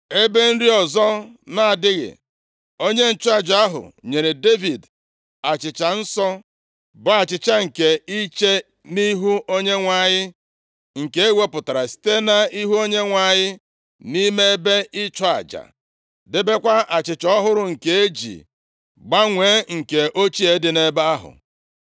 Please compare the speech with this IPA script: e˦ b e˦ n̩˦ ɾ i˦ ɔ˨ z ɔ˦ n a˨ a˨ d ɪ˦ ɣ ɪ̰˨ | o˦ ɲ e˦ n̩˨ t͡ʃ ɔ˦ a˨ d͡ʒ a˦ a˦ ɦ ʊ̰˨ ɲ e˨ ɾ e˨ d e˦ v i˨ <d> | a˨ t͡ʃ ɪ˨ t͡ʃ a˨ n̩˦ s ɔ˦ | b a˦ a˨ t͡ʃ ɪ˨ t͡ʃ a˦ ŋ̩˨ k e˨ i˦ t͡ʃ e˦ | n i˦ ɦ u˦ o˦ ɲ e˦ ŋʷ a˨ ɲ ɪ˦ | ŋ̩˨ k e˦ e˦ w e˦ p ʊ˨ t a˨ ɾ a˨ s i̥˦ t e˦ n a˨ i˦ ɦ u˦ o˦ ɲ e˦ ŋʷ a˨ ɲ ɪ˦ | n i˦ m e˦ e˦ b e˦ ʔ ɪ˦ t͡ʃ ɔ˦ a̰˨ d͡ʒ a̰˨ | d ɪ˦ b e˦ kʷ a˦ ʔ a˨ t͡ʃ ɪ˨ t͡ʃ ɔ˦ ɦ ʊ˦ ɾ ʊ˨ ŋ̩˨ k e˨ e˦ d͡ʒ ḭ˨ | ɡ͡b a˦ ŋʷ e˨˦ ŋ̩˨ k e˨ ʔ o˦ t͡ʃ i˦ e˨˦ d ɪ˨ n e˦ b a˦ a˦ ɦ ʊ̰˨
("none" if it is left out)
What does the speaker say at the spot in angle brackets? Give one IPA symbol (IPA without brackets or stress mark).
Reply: d